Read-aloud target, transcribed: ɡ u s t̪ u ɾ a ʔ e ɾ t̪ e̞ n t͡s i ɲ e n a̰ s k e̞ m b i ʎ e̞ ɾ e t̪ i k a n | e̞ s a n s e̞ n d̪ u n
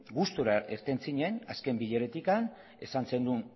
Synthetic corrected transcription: ɡ u s t̪ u ɾ a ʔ e ɾ t̪ e̞ n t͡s i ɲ e n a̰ s k e̞ m b i ʎ e̞ ɾ e t̪ i k a n | e̞ s a n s e̞ n d̪ u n